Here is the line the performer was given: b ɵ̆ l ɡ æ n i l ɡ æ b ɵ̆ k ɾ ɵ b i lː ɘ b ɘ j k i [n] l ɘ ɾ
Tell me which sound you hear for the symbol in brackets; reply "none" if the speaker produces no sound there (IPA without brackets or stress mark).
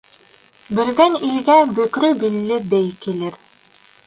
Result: none